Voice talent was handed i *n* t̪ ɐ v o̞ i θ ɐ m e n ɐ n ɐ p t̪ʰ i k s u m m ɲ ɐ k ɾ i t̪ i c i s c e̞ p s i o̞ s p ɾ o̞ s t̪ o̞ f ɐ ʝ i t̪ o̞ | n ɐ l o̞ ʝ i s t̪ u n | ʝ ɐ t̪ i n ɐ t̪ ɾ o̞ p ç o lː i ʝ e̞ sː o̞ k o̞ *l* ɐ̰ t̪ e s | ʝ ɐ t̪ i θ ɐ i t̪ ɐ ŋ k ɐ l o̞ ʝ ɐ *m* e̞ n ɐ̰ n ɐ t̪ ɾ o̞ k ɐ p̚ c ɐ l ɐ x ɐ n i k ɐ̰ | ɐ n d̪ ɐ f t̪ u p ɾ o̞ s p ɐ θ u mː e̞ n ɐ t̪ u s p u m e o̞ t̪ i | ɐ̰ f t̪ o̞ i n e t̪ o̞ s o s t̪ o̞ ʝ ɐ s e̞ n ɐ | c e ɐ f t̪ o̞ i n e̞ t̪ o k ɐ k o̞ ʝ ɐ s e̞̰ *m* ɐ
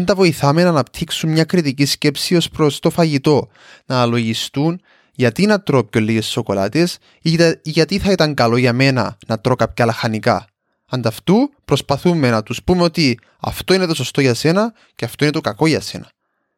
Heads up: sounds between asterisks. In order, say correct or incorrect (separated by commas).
correct, correct, correct, incorrect